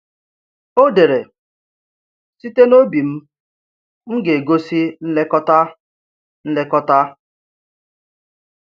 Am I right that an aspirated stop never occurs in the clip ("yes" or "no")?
yes